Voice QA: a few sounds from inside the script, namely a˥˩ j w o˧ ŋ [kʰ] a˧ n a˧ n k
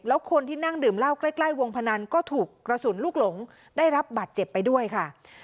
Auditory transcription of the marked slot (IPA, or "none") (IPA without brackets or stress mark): pʰ